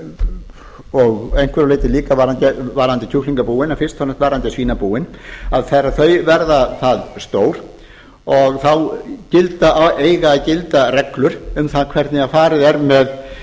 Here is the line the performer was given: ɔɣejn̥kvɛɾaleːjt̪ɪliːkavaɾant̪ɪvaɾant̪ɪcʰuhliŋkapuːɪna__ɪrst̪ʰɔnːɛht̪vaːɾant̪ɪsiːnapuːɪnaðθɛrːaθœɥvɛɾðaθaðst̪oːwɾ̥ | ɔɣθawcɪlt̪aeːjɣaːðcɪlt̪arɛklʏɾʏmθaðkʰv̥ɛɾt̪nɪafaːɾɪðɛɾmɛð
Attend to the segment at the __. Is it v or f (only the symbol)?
f